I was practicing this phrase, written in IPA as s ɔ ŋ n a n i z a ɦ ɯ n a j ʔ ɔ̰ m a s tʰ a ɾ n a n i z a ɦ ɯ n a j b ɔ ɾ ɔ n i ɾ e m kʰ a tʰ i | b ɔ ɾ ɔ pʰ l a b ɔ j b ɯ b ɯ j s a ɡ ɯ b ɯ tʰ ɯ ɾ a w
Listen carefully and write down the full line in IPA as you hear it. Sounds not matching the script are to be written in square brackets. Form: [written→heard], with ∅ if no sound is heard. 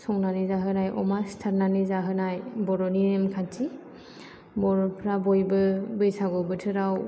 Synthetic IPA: s ɔ ŋ n a n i z a ɦ ɯ n a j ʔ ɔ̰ m a s tʰ a ɾ n a n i z a ɦ ɯ n a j b ɔ ɾ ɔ n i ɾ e m kʰ a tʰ i | b ɔ ɾ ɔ pʰ [l→ɾ] a b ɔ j b ɯ b ɯ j s a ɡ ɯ b ɯ tʰ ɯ ɾ a w